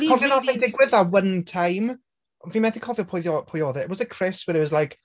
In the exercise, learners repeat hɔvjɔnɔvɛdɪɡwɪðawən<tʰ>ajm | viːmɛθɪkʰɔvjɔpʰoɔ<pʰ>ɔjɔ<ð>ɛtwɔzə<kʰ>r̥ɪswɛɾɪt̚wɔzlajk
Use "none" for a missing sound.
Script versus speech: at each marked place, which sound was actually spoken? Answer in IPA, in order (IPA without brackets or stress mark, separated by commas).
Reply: tʰ, pʰ, ð, kʰ